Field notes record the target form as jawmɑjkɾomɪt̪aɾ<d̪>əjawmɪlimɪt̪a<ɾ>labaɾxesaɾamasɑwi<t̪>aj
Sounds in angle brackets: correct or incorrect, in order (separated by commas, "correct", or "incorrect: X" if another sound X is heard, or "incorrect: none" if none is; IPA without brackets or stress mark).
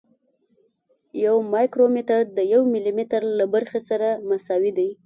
correct, correct, incorrect: d̪